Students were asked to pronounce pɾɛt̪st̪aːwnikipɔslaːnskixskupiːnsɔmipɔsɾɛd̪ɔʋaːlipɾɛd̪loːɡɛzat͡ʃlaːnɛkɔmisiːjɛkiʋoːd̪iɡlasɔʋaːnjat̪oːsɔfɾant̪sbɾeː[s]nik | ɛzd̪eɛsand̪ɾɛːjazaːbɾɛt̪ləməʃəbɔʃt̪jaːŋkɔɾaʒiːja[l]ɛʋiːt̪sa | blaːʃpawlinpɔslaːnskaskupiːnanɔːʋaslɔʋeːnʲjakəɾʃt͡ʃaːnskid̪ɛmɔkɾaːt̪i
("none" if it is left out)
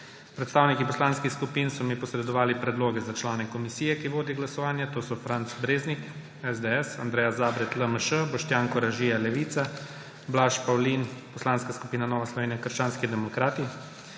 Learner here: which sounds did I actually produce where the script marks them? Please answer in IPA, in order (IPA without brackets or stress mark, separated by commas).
z, l